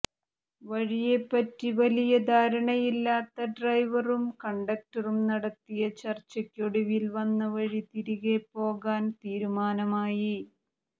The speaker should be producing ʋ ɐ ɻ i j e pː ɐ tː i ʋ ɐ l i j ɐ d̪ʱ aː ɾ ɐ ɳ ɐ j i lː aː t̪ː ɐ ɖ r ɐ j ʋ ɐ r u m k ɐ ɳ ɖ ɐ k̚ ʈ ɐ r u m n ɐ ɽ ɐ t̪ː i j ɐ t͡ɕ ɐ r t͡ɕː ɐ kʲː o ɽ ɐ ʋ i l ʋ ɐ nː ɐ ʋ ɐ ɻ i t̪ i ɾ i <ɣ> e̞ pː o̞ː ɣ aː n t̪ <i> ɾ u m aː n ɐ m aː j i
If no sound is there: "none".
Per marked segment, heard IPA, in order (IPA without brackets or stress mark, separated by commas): ɣ, iː